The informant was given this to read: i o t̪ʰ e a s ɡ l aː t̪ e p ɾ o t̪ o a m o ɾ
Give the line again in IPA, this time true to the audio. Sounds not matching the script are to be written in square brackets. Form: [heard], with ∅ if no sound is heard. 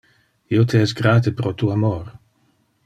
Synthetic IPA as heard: i o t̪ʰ e [ɛ] s ɡ [ɾ] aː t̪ e p ɾ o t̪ [u] a m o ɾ